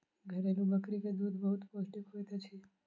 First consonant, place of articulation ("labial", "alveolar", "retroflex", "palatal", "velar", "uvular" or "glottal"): velar